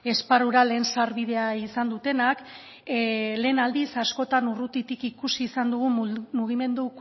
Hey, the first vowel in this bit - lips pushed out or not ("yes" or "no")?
no